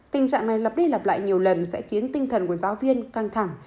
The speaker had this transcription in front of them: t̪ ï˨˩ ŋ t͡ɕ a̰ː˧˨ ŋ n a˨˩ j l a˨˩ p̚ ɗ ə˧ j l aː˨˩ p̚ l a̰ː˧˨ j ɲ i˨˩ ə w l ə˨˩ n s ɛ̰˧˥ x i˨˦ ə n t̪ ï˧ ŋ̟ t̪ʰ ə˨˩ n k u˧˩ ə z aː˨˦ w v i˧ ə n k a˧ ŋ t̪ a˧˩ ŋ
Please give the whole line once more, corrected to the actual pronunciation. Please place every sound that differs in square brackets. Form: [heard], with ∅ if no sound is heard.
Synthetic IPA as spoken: t̪ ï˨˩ ŋ t͡ɕ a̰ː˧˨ ŋ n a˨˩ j l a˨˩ p̚ ɗ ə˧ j l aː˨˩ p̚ l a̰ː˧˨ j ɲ i˨˩ ə w l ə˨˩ n s ɛ̰˧˥ x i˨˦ ə n t̪ ï˧ ŋ̟ t̪ʰ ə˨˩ n k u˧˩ ə z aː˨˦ w v i˧ ə n k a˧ ŋ [t̪ʰ] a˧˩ ŋ